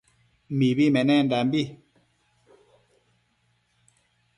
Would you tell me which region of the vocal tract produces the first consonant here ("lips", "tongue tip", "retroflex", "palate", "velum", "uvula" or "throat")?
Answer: lips